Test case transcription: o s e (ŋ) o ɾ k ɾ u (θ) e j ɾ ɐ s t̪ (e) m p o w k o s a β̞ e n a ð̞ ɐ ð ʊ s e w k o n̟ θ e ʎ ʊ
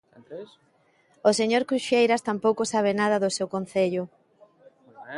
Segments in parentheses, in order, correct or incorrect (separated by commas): incorrect, incorrect, incorrect